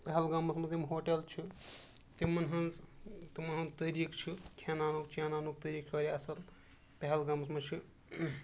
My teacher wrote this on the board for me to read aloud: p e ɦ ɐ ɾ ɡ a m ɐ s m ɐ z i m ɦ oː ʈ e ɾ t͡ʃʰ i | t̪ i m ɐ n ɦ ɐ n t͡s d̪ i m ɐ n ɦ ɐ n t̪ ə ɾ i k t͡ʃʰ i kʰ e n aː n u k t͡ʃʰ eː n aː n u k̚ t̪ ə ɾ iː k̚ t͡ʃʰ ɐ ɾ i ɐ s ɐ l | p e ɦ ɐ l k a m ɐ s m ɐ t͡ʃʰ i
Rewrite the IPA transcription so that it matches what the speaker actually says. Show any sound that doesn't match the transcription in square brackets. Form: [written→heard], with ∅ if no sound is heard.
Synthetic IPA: p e ɦ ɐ [ɾ→l] ɡ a m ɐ s m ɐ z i m ɦ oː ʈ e [ɾ→l] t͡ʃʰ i | t̪ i m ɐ n ɦ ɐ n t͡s [d̪→t̪] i m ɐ n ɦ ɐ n t̪ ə ɾ i k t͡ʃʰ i kʰ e n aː n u k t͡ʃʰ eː n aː n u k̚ t̪ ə ɾ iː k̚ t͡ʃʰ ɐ ɾ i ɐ s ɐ l | p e ɦ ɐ l [k→ɡ] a m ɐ s m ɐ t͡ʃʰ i